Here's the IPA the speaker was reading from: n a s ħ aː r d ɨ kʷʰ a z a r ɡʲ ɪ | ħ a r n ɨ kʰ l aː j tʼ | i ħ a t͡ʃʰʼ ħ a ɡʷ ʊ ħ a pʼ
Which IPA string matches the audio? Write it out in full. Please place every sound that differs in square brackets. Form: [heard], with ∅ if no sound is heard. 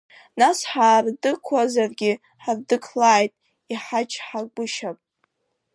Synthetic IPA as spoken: n a s ħ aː r d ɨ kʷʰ a z a r ɡʲ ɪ | ħ a r [d] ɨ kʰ l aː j tʼ | i ħ a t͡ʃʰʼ ħ a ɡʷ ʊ [ʃ] a pʼ